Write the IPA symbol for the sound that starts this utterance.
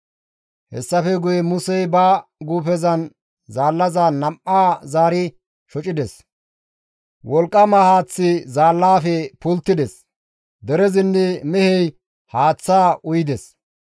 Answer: h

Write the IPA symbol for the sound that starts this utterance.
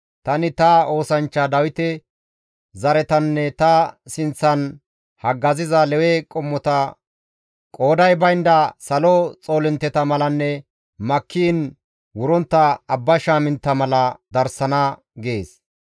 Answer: t̪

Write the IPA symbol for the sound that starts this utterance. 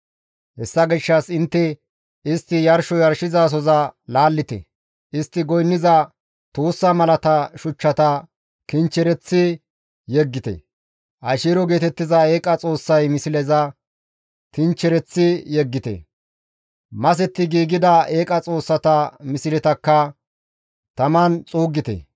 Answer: h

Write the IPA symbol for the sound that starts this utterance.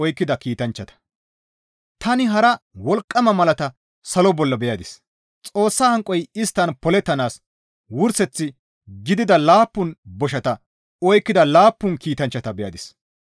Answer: ɔ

